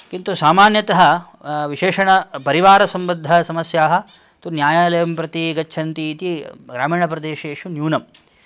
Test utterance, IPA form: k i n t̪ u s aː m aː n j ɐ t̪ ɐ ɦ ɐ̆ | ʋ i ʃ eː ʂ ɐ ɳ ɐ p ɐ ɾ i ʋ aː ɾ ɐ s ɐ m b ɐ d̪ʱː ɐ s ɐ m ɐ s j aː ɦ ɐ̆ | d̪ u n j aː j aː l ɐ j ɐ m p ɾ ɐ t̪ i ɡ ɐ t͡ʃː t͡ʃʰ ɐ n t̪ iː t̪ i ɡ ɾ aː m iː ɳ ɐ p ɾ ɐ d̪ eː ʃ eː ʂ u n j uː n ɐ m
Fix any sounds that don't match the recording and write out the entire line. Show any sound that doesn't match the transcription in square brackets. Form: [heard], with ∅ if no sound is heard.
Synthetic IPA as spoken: k i n t̪ u s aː m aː n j ɐ t̪ ɐ ɦ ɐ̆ | ʋ i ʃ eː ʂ ɐ ɳ ɐ p ɐ ɾ i ʋ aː ɾ ɐ s ɐ m b ɐ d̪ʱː ɐ s ɐ m ɐ s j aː ɦ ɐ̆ | [t̪] u n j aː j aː l ɐ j ɐ m p ɾ ɐ t̪ i ɡ ɐ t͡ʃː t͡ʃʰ ɐ n t̪ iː t̪ i ɡ ɾ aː m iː ɳ ɐ p ɾ ɐ d̪ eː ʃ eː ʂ u n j uː n ɐ m